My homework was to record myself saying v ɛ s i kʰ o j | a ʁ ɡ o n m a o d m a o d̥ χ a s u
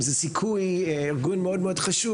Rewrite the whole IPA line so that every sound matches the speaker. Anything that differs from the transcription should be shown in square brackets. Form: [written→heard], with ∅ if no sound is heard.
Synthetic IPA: [v→z] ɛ s i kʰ [o→u] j | [a→i] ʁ ɡ [o→u] n m [a→e] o d m [a→e] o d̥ χ a [s→ʃ] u

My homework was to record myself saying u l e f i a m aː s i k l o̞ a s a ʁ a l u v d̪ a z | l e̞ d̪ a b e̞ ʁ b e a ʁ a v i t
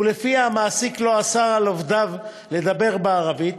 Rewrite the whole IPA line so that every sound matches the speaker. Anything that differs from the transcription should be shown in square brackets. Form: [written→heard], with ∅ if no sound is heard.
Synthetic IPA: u l e f i a m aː s i k l o̞ a s a ʁ a l [u→o] v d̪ a [z→v] | l e̞ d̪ a b e̞ ʁ b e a ʁ a v i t

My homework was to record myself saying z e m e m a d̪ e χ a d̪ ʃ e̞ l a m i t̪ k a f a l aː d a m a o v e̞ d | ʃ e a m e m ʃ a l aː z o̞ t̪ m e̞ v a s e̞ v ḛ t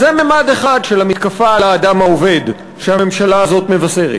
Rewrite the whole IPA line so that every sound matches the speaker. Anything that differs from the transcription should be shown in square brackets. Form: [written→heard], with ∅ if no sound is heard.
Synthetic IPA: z e m e m a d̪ e χ a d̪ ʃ e̞ l a m i t̪ k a f a l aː d a m a o v e̞ d | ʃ e a m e m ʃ a l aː z o̞ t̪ m e̞ v a s e̞ [v→ʁ] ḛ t

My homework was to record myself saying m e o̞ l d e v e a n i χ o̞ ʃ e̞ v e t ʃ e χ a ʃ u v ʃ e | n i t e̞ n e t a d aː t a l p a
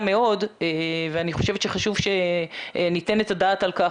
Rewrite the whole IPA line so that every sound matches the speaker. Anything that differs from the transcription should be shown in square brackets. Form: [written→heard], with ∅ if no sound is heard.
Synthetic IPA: m e o̞ [l→∅] d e v e a n i χ o̞ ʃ e̞ v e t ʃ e χ a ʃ u v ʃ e | n i t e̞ n e t a d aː t a l [p→k] a

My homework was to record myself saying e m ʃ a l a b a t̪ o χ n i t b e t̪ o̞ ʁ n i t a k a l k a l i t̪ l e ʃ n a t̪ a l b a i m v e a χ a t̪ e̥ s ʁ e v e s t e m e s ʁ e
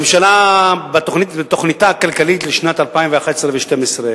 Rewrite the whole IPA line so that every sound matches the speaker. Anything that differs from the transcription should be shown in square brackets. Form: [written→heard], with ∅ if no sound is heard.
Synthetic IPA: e m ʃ a l a b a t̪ o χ n i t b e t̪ o̞ [ʁ→χ] n i t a k a l k a l i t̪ l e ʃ n a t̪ a l [b→p] a i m v e a χ a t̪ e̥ s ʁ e v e [s→ʃ] t e m e s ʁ e

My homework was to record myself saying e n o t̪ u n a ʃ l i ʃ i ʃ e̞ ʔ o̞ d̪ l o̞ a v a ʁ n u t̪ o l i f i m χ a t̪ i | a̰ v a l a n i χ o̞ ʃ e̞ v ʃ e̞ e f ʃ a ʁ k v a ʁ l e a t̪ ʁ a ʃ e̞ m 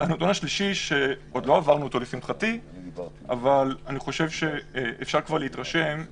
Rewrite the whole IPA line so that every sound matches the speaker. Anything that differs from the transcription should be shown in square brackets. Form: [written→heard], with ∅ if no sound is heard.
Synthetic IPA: [e→a] n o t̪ u n a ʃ l i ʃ i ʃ e̞ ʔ o̞ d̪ l o̞ a v a ʁ n u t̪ o l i f i m χ a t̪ i | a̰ v a l a n i χ o̞ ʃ e̞ v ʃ e̞ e f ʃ a ʁ k v a ʁ l e [a→i] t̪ ʁ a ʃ e̞ m

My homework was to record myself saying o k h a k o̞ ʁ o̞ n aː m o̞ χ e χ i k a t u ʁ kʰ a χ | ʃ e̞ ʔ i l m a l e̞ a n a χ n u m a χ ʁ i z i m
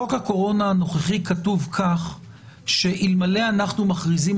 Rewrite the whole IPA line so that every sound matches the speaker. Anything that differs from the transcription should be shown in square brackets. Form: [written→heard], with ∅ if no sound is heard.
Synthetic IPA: o k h a k o̞ ʁ o̞ n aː [m→n] o̞ χ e χ i k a t u [ʁ→v] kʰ a χ | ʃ e̞ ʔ i l m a l e̞ a n a χ n u m a χ ʁ i z i m

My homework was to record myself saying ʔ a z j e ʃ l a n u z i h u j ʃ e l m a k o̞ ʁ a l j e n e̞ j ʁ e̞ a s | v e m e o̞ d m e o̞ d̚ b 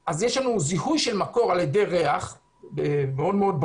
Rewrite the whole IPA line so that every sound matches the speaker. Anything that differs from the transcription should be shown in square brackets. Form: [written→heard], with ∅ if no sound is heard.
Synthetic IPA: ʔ a z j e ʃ l a n u z i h u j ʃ e l m a k o̞ ʁ a l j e [n→d] e̞ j ʁ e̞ a [s→χ] | [v→b] e m e o̞ d m e o̞ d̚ b

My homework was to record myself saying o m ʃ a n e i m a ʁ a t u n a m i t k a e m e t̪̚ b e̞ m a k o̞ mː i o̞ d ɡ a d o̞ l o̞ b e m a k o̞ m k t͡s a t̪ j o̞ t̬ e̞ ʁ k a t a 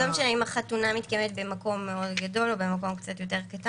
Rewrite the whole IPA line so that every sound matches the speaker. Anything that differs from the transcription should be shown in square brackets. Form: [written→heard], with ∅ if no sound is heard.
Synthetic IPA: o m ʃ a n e i m a [ʁ→χ] a t u n a m i t k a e m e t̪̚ b e̞ m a k o̞ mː [i→e] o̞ d ɡ a d o̞ l o̞ b e m a k o̞ m k t͡s a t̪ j o̞ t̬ e̞ ʁ k a t a

